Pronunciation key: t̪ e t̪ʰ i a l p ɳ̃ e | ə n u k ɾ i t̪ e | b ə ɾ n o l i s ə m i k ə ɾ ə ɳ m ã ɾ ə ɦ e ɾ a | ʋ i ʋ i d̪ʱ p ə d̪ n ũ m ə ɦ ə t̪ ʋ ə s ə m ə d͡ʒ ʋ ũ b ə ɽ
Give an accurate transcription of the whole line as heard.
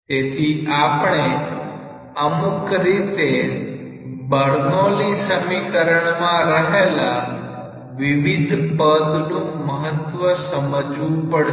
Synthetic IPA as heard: t̪ e t̪ʰ i a p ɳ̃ e | ə m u k ɾ i t̪ e | b ə ɾ n o l i s ə m i k ə ɾ ə ɳ m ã ɾ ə ɦ e l a | ʋ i ʋ i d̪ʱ p ə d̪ n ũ m ə ɦ ə t̪ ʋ ə s ə m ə d͡ʒ ʋ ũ p ə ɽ